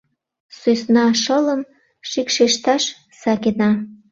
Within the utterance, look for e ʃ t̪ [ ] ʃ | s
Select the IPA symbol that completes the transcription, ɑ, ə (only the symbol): ɑ